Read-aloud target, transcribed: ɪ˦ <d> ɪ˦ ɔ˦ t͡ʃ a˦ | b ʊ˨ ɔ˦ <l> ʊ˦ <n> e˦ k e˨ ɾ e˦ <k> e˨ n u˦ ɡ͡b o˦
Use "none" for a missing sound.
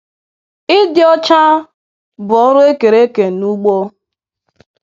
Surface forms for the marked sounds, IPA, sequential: d, ɾ, none, k

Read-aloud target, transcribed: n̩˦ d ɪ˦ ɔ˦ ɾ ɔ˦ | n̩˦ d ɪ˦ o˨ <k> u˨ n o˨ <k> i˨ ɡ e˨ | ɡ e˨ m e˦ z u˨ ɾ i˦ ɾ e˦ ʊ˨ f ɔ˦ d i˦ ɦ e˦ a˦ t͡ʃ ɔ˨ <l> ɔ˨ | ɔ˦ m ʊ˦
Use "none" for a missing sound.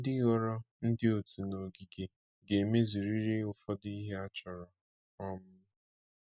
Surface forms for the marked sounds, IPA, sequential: t, ɡ, ɾ

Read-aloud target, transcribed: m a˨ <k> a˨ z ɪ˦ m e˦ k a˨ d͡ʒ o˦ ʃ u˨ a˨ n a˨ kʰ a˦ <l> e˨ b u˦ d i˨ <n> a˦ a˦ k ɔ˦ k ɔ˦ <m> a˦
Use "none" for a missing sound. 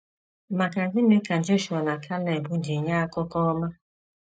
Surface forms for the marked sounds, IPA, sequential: k, l, ɲ, m

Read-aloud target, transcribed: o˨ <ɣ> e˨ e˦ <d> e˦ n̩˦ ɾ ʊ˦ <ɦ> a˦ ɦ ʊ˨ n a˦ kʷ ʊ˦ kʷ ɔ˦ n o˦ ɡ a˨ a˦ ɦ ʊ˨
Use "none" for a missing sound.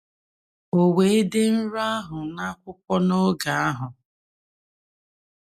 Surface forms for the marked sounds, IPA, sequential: w, d, none

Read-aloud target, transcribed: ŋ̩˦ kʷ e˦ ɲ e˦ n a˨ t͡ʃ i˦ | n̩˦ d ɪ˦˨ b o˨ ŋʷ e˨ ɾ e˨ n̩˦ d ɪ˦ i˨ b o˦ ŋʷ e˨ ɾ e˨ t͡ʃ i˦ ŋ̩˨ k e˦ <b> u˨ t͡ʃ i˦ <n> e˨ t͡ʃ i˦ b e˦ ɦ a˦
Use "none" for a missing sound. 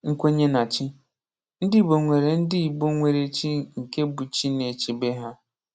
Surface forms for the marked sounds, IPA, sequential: b, n

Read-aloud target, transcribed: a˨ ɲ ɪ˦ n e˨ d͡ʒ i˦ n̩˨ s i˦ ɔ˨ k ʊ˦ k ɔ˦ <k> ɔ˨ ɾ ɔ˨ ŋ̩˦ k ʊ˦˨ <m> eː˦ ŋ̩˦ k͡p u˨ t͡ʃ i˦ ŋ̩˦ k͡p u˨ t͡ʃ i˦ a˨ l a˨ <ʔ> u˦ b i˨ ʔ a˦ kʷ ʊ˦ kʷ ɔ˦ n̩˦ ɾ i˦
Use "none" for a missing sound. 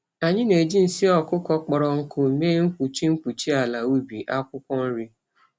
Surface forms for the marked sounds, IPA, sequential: k͡p, m, none

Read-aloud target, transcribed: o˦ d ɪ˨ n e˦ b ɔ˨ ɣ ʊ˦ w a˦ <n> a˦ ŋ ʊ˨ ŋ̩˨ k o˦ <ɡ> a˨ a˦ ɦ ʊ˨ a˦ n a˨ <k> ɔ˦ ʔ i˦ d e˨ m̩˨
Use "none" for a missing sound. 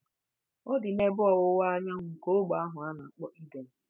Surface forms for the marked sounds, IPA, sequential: ɲ, ɡ͡b, k͡p

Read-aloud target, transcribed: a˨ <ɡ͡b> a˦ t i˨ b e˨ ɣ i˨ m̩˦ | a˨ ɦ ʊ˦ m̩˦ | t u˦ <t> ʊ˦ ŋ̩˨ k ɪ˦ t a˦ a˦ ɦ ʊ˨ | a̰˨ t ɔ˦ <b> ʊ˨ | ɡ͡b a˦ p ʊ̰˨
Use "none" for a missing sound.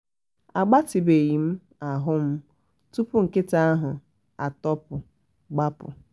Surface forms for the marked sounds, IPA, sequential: ɡ͡b, p, p

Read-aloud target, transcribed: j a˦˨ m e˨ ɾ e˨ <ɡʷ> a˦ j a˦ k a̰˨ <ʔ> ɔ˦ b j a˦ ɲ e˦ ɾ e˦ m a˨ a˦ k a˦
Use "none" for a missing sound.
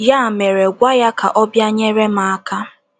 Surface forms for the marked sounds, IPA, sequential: ɡʷ, ʔ

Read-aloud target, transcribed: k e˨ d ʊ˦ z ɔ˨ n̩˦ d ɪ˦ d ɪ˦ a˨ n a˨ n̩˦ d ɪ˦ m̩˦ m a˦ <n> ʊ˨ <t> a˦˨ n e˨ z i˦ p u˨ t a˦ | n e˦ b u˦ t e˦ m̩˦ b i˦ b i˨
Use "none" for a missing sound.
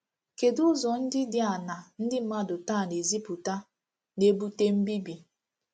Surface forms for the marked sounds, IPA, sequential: d, t

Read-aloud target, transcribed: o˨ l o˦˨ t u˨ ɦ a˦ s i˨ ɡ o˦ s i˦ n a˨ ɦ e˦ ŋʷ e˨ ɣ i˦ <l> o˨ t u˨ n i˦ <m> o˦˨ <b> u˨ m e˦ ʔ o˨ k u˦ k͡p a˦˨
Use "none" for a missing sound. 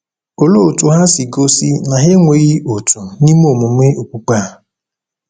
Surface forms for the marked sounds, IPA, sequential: none, m, m

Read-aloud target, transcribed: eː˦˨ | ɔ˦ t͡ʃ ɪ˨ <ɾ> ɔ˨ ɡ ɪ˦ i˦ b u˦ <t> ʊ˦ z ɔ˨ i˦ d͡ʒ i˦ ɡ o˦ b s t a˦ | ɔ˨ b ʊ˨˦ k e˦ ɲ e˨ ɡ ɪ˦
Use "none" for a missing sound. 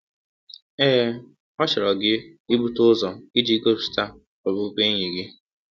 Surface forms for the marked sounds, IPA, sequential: ɾ, t

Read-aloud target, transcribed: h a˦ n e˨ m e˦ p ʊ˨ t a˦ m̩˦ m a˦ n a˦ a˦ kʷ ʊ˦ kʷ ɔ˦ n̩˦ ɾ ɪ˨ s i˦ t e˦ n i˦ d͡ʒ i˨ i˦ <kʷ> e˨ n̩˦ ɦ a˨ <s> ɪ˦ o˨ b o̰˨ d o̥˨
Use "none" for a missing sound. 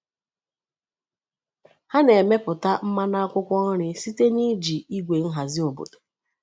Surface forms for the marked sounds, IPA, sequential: ɡʷ, z

